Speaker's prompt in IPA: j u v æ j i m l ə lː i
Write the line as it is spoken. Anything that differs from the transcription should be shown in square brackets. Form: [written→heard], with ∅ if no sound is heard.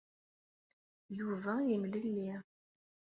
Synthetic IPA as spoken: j u v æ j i m l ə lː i